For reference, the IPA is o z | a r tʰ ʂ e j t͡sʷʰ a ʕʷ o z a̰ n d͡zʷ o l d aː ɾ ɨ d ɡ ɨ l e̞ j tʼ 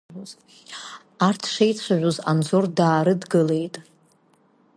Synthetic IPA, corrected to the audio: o z | a r tʰ ʂ e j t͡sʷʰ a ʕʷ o z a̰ n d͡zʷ o r d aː ɾ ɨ d ɡ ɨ l e̞ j tʼ